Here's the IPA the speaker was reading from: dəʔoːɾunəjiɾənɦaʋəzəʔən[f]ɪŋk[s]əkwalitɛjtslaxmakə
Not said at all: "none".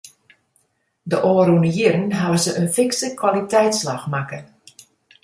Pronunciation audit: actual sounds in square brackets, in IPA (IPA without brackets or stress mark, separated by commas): f, s